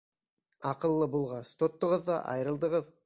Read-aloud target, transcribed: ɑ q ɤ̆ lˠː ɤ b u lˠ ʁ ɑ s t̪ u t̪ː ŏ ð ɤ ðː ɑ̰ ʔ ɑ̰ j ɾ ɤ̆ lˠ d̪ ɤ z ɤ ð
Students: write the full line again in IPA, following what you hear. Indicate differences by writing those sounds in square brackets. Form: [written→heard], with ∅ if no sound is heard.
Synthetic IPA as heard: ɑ q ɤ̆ lˠː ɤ b u lˠ ʁ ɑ s t̪ [u→o] t̪ː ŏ [ð→ʁ] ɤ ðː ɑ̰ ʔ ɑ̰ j ɾ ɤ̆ lˠ d̪ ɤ [z→ʁ] ɤ ð